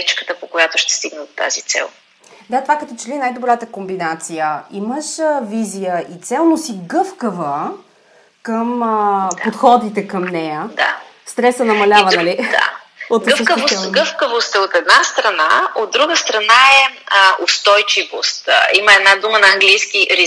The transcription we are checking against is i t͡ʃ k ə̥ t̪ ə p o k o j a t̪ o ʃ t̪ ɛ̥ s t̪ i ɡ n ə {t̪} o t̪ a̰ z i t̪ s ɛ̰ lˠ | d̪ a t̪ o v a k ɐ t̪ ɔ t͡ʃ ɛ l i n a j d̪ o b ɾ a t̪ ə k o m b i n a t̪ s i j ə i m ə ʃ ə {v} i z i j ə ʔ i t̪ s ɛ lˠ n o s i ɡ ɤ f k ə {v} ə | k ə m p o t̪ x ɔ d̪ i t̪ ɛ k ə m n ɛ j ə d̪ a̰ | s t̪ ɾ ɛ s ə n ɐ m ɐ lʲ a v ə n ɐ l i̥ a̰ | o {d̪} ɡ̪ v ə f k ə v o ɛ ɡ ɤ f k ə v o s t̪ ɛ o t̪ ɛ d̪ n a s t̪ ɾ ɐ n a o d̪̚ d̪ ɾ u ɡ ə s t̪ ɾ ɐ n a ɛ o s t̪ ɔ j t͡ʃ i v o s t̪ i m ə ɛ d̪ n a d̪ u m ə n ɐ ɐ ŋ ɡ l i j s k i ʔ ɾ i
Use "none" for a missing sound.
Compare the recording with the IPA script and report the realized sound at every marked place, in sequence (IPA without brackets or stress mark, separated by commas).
d̪, v, v, t̪